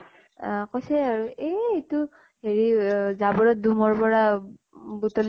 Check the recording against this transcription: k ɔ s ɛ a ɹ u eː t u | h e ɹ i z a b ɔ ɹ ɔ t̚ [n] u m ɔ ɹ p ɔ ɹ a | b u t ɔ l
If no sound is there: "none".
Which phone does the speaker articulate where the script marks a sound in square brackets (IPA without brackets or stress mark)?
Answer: d